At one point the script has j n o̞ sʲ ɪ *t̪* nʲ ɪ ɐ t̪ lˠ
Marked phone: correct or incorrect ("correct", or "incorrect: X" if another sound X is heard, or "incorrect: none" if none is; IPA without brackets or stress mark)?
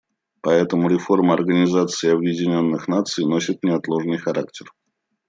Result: correct